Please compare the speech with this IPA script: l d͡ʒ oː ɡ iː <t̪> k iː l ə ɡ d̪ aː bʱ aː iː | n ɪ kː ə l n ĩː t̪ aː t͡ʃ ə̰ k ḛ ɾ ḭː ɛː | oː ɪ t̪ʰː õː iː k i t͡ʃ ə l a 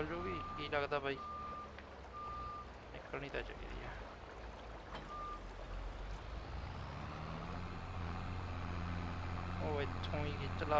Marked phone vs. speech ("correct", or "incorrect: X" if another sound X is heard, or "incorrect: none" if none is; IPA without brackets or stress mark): incorrect: none